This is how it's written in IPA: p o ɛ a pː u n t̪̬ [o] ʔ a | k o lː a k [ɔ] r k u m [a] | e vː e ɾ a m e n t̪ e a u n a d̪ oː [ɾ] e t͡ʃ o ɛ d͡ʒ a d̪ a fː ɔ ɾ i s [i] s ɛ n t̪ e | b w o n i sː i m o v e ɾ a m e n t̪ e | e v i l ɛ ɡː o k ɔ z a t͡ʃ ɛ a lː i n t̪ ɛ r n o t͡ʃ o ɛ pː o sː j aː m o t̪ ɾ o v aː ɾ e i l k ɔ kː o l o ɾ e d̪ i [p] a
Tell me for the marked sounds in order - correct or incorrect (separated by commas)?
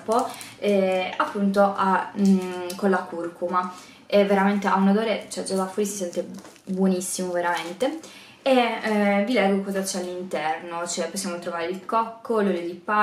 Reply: correct, incorrect, correct, correct, correct, correct